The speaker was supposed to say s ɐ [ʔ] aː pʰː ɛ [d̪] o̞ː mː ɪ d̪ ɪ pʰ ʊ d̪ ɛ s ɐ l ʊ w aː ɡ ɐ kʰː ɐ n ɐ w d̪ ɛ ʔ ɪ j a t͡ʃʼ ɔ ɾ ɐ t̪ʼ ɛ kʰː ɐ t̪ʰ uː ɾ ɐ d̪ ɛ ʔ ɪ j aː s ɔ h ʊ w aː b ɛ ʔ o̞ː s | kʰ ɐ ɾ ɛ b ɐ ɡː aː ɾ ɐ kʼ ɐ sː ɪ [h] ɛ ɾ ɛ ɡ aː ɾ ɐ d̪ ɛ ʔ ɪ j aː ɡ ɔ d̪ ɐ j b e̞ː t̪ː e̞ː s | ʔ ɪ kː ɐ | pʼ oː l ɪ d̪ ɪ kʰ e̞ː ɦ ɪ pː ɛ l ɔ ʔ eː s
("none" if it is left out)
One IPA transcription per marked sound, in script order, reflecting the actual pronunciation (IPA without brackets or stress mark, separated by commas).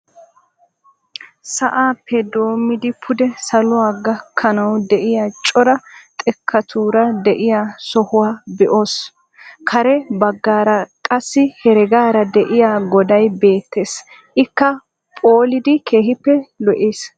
ʔ, d̪, h